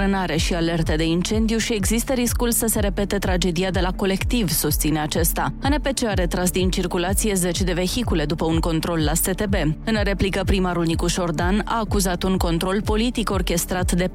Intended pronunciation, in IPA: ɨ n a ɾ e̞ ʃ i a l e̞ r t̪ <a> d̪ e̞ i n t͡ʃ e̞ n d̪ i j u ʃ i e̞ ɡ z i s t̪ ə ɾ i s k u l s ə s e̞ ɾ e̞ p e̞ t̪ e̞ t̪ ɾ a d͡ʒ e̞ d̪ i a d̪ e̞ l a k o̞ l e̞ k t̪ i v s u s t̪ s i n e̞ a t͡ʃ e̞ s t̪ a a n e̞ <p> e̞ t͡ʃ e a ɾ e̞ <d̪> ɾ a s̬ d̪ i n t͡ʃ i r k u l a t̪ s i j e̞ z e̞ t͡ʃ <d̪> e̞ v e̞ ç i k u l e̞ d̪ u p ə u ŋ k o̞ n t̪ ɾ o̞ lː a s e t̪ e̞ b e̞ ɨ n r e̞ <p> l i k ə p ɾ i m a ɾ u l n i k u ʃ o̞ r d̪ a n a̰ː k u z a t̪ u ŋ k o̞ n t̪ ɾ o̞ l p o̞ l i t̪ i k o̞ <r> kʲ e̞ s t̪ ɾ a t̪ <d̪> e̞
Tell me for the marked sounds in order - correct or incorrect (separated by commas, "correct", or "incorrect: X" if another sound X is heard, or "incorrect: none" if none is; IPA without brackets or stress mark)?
incorrect: e, correct, incorrect: t̪, correct, correct, correct, correct